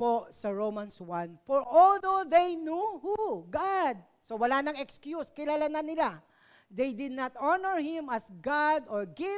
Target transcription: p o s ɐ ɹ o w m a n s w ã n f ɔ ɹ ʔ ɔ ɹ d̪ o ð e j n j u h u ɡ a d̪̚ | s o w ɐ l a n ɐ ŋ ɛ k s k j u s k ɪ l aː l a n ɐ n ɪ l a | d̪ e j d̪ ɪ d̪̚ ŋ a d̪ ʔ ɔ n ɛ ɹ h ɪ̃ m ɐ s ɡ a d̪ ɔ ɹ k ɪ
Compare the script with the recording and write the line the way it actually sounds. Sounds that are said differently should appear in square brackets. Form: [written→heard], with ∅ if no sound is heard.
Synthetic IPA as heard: p o s ɐ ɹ o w m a n s w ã n f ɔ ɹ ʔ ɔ [ɹ→l] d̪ o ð e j n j u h u ɡ a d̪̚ | s o w ɐ l a n ɐ ŋ ɛ k s k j u s k ɪ l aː l a n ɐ n ɪ l a | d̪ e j d̪ ɪ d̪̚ [ŋ→n] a [d̪→t̪] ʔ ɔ n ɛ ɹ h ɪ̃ m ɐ s ɡ a d̪ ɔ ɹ [k→ɡ] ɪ